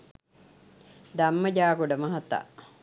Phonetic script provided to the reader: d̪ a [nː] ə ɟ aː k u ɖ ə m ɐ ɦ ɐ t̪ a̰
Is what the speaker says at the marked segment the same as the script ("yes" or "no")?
no